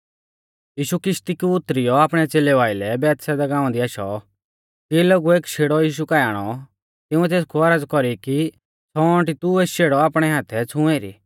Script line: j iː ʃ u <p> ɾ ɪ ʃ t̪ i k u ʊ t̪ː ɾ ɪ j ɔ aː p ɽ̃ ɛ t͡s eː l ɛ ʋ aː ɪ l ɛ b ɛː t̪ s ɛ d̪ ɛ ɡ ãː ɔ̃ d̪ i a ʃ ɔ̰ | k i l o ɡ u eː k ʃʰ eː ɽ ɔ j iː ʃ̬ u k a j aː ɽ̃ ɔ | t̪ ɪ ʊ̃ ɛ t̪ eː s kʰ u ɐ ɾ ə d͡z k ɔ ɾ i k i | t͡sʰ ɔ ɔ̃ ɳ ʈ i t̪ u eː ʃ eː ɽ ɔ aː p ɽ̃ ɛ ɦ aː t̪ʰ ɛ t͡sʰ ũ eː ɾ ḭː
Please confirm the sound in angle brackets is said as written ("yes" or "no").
no